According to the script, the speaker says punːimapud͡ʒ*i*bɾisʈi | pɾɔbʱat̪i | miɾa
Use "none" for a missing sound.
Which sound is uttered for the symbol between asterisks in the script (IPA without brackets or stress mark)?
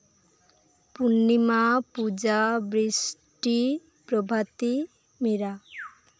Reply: a